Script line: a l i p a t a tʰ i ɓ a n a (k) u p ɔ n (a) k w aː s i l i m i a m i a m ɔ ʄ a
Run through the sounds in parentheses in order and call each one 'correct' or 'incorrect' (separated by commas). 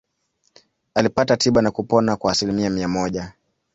correct, correct